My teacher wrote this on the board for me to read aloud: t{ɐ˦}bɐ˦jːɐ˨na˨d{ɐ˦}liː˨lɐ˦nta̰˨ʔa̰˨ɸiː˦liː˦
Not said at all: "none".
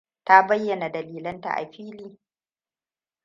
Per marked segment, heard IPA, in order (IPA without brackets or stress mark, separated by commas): a˦, ɐ˨